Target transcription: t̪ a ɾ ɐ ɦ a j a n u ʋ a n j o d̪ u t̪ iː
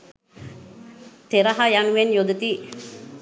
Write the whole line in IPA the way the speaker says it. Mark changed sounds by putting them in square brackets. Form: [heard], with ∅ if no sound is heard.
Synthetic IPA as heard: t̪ [e] ɾ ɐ ɦ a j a n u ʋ [e] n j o d̪ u t̪ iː